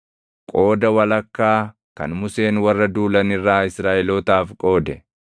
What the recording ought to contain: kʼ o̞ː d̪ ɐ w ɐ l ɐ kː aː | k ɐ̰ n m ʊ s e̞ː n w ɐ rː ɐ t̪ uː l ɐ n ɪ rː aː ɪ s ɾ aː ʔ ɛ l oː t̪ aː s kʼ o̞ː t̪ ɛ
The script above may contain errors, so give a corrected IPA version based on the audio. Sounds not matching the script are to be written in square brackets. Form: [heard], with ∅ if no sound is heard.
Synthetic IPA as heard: kʼ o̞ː d̪ ɐ w ɐ l ɐ kː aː | k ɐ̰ n m ʊ s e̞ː n w ɐ rː ɐ [d̪] uː l ɐ n ɪ rː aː ɪ s ɾ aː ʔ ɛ l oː t̪ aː [f] kʼ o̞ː [d̪] ɛ

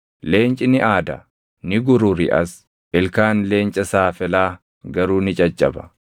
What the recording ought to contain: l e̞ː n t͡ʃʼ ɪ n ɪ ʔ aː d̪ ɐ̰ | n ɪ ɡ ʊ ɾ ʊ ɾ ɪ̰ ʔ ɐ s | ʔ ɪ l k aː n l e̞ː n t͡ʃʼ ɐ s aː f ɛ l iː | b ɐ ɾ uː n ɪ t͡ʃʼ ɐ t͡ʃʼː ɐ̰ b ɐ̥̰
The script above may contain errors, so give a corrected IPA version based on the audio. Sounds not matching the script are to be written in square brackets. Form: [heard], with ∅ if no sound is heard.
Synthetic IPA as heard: l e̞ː n t͡ʃʼ ɪ n ɪ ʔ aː d̪ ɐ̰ | n ɪ ɡ ʊ ɾ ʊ ɾ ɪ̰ ʔ ɐ s | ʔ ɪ l k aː n l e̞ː n t͡ʃʼ ɐ s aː f ɛ l [aː] | [ɡ] ɐ ɾ uː n ɪ t͡ʃʼ ɐ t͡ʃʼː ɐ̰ b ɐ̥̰

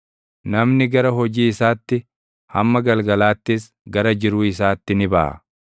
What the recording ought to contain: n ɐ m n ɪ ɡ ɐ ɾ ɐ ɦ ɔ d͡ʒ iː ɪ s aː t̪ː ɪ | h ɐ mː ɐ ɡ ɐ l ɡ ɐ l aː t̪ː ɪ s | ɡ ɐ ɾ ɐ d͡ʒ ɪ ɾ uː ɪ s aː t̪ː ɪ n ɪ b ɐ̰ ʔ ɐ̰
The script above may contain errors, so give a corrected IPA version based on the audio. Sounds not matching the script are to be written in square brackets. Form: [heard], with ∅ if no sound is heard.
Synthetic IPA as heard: n ɐ m n ɪ ɡ ɐ ɾ ɐ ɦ ɔ d͡ʒ iː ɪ s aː t̪ː ɪ | h ɐ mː ɐ ɡ ɐ l ɡ ɐ l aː t̪ː ɪ s | ɡ ɐ ɾ ɐ d͡ʒ ɪ ɾ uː ɪ s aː t̪ː ɪ n ɪ b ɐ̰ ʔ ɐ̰

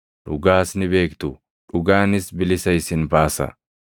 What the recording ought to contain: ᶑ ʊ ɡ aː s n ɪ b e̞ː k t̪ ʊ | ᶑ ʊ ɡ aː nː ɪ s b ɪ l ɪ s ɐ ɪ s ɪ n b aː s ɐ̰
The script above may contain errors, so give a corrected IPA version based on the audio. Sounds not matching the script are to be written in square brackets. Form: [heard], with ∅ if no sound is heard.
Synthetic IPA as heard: ᶑ ʊ ɡ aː s n ɪ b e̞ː k t̪ ʊ | ᶑ ʊ ɡ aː [n] ɪ s b ɪ l ɪ s ɐ ɪ s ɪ n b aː s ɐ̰

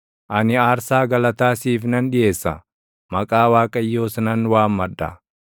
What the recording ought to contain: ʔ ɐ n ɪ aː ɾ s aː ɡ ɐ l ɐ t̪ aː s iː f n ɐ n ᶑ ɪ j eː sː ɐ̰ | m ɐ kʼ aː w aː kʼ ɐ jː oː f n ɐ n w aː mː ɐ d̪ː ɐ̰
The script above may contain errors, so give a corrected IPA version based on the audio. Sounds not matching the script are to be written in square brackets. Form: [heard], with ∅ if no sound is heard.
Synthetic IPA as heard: ʔ ɐ n ɪ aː ɾ s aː ɡ ɐ l ɐ t̪ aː s iː f n ɐ n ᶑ ɪ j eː sː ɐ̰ | m ɐ kʼ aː w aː kʼ ɐ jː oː [s] n ɐ n w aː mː ɐ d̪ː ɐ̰

